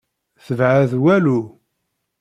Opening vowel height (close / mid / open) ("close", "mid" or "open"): mid